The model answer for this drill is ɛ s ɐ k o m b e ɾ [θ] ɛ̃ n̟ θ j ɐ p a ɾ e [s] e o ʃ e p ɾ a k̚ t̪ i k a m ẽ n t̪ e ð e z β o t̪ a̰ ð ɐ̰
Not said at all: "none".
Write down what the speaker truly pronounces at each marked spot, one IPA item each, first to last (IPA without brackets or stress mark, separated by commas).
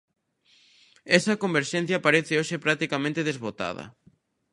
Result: ʃ, θ